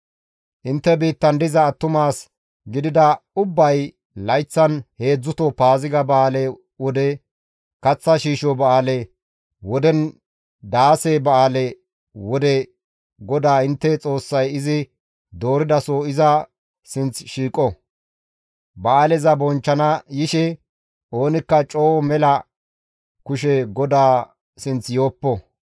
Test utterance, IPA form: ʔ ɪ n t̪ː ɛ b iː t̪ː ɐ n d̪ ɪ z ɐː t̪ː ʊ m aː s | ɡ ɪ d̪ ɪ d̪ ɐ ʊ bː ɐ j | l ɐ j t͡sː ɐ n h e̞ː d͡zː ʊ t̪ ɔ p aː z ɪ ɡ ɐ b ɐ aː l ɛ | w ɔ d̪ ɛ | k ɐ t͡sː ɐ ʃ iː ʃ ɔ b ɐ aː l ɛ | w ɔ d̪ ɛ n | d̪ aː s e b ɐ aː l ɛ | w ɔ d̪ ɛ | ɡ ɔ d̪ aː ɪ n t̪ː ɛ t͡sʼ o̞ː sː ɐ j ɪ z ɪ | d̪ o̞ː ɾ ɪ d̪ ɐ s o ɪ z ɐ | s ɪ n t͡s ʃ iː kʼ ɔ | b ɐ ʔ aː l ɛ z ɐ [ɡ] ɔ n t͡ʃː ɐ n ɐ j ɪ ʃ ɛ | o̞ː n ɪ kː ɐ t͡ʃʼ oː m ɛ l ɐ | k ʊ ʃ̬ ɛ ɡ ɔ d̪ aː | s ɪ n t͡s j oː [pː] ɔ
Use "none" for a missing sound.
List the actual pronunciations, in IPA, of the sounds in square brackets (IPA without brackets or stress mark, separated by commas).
b, pː